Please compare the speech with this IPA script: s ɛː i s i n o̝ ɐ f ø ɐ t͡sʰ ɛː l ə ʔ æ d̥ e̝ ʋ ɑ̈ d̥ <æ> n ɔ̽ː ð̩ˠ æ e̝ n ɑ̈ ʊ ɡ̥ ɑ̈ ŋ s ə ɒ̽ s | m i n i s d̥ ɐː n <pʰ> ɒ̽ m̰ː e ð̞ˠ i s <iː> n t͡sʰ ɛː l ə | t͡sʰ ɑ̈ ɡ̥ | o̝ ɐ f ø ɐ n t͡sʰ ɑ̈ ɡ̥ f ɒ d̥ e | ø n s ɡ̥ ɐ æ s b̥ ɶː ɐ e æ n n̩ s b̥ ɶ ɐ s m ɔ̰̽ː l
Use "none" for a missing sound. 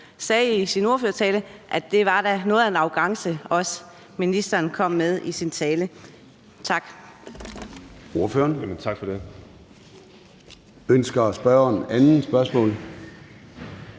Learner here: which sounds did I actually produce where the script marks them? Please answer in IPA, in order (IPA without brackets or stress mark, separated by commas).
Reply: æ, kʰ, i